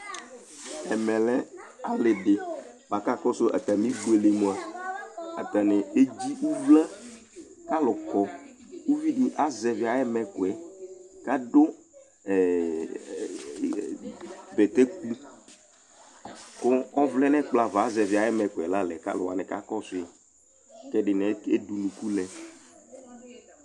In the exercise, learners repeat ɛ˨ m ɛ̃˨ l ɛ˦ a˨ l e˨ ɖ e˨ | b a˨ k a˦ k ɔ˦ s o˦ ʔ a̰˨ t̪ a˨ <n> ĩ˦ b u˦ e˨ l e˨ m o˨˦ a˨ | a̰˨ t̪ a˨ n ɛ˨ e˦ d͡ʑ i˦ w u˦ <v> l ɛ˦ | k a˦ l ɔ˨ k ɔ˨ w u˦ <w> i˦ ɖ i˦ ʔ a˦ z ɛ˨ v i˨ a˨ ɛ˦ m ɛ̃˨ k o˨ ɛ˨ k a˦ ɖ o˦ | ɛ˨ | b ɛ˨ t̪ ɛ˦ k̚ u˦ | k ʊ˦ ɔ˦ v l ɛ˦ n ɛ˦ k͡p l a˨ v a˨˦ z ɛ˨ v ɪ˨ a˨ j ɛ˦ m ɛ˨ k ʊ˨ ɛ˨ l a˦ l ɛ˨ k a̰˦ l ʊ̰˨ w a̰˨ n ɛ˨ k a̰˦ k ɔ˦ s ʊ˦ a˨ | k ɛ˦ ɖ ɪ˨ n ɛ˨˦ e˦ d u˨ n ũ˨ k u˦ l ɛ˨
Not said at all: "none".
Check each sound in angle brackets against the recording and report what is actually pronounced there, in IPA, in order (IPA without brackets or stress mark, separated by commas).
m, v, v